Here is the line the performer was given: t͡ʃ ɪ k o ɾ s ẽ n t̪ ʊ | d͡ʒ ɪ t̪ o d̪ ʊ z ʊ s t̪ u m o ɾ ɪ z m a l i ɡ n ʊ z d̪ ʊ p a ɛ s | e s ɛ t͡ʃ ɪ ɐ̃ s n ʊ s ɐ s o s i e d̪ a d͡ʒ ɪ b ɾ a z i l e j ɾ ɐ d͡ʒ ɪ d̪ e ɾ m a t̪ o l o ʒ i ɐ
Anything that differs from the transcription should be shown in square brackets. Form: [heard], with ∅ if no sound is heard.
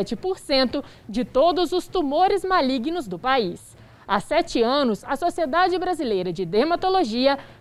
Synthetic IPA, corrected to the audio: t͡ʃ ɪ [p] o ɾ s ẽ n t̪ ʊ | d͡ʒ ɪ t̪ o d̪ ʊ z ʊ s t̪ u m o ɾ ɪ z m a l i ɡ n ʊ z d̪ ʊ p a [i] s | [a] s ɛ t͡ʃ ɪ ɐ̃ [∅] n ʊ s ɐ s o s i e d̪ a d͡ʒ ɪ b ɾ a z i l e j ɾ ɐ d͡ʒ ɪ d̪ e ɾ m a t̪ o l o ʒ i ɐ